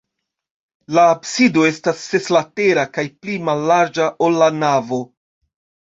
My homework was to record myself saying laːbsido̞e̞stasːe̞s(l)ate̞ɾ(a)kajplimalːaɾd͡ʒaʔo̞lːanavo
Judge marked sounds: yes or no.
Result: yes, yes

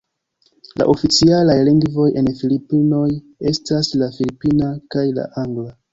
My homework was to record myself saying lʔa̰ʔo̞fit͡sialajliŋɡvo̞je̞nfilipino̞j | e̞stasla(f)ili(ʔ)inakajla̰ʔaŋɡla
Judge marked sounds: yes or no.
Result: yes, no

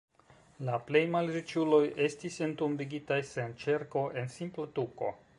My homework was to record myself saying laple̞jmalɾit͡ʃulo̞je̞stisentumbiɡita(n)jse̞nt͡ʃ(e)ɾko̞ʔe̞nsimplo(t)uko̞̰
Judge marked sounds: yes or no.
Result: no, yes, yes

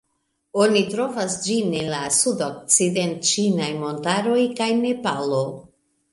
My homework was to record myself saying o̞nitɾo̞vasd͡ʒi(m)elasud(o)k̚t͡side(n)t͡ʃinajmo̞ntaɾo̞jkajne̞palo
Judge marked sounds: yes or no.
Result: no, yes, yes

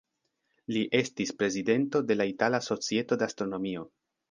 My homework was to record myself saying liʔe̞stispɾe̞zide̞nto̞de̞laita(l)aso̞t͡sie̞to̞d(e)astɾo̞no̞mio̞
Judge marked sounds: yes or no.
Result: yes, yes

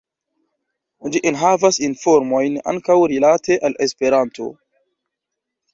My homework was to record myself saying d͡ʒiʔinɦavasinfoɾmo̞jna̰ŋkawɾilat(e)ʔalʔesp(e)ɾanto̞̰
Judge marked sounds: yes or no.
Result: yes, yes

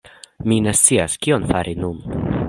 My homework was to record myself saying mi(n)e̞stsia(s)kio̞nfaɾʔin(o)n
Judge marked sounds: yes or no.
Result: yes, yes, no

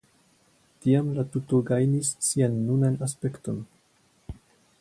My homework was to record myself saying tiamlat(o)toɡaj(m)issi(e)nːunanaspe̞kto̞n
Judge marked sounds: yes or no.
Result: no, no, no

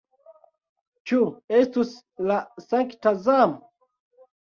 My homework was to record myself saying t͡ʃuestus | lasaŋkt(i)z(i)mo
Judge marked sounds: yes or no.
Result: no, no

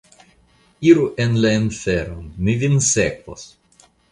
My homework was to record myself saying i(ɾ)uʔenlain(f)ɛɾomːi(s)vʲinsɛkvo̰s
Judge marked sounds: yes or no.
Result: yes, yes, no

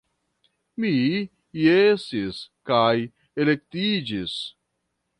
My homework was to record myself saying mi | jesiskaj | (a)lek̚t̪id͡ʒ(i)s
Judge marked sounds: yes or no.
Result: no, yes

